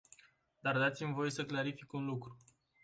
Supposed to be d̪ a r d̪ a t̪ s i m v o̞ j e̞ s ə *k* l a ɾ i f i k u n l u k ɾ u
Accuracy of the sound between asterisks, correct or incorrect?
correct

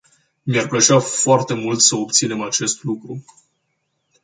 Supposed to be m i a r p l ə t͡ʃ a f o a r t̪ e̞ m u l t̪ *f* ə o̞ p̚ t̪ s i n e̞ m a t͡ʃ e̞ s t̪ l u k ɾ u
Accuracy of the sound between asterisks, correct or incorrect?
incorrect: s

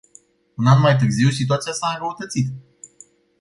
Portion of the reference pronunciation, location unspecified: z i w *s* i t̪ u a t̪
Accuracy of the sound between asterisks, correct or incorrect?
correct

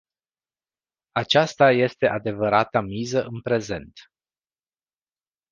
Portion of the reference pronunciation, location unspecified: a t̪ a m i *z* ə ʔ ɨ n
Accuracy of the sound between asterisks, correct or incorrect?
correct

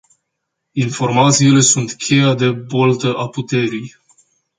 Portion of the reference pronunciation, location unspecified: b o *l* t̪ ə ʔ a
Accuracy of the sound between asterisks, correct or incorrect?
correct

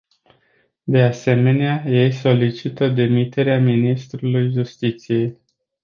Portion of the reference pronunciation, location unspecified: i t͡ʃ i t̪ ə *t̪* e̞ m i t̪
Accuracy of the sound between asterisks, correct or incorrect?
incorrect: d̪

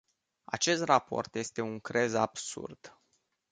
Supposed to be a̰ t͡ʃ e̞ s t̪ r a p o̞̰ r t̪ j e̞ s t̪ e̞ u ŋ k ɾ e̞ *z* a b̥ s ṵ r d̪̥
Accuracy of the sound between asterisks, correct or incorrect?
correct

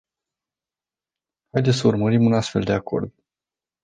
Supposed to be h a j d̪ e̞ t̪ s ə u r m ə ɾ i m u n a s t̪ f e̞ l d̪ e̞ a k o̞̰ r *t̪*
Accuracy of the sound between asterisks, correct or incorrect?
incorrect: d̪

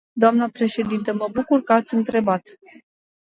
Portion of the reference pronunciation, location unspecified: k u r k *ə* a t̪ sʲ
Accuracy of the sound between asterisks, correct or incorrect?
correct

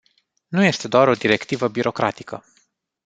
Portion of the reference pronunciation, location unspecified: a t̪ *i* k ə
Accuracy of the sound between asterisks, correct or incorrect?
correct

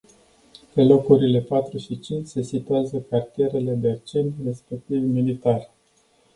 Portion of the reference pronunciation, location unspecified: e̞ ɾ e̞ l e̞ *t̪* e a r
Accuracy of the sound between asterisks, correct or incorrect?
incorrect: d̪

